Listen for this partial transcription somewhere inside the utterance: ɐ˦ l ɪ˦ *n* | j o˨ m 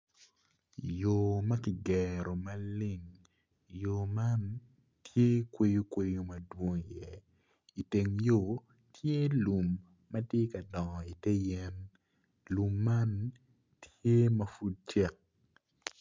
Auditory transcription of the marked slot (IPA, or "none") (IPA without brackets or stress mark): ŋ